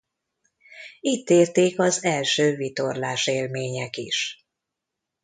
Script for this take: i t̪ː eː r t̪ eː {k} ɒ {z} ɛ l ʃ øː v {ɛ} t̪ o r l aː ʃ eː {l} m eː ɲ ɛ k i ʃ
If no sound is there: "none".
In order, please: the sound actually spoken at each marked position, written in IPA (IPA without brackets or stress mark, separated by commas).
k, z, i, l